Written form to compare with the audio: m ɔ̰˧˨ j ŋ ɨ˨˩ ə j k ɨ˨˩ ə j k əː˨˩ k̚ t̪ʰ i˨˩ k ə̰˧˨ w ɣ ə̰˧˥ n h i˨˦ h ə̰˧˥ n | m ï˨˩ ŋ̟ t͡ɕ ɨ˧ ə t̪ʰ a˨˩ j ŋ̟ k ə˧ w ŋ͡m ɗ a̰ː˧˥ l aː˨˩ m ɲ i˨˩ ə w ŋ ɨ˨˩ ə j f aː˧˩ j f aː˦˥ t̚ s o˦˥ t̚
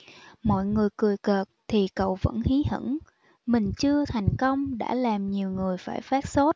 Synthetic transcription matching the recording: m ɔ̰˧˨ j ŋ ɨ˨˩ ə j k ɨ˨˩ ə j k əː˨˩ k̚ t̪ʰ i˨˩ k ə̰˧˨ w v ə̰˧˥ n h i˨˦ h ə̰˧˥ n | m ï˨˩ ŋ̟ t͡ɕ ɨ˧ ə t̪ʰ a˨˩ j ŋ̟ k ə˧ w ŋ͡m ɗ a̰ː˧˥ l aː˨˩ m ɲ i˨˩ ə w ŋ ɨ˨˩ ə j f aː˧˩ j f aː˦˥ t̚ s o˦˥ t̚